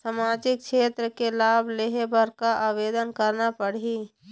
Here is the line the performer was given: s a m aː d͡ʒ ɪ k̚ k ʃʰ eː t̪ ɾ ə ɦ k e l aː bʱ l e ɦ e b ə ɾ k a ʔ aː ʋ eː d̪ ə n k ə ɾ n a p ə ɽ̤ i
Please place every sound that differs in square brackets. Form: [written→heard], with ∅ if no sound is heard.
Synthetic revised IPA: s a m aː d͡ʒ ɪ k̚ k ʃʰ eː t̪ ɾ ə [ɦ→∅] k e l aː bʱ l e ɦ e b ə ɾ k a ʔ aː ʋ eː d̪ ə n k ə ɾ n a p ə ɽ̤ i